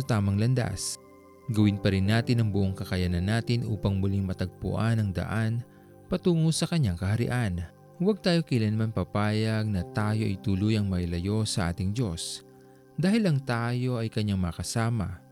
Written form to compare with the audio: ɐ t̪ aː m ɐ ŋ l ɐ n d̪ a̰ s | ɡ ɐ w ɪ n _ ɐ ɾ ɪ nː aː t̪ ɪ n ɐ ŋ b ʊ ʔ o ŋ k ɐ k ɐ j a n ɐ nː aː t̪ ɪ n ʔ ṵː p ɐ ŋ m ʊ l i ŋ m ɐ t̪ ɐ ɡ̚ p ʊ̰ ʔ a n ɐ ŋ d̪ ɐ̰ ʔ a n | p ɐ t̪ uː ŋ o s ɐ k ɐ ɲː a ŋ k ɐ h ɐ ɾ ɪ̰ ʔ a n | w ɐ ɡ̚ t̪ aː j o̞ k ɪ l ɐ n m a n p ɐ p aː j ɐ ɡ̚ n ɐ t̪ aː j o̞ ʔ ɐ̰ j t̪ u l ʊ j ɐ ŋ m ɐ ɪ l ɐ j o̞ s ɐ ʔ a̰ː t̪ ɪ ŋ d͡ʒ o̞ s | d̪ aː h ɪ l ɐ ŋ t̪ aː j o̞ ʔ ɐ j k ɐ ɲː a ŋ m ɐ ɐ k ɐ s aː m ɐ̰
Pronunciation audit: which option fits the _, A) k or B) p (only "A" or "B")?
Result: B